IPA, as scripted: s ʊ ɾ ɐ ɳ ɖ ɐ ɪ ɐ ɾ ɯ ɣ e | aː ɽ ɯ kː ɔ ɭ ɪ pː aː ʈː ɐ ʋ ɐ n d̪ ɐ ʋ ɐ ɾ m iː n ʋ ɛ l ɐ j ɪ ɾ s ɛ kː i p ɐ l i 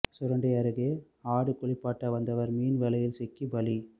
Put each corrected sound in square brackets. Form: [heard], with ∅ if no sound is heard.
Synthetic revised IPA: s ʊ ɾ ɐ ɳ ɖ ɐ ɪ ɐ ɾ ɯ ɣ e | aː ɽ ɯ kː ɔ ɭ ɪ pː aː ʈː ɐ ʋ ɐ n d̪ ɐ ʋ ɐ ɾ m iː n ʋ ɛ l ɐ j ɪ [l] s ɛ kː i [b] ɐ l i